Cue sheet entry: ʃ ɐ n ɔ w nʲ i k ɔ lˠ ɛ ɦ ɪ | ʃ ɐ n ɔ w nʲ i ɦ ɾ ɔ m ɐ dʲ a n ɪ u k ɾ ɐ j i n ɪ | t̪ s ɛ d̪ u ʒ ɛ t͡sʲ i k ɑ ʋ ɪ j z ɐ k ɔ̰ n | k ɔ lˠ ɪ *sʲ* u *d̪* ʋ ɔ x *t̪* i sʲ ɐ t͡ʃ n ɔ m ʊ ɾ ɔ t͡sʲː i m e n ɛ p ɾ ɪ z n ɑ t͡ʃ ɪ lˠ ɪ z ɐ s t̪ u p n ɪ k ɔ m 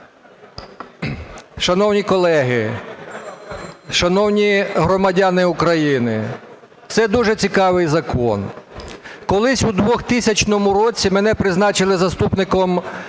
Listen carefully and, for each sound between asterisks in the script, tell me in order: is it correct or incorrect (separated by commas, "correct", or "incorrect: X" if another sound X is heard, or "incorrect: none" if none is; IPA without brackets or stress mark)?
correct, correct, correct